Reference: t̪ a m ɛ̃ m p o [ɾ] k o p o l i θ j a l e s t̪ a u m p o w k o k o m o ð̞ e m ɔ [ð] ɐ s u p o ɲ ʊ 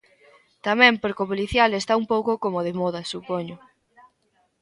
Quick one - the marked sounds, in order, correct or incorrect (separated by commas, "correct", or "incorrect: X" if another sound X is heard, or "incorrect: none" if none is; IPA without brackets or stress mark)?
correct, correct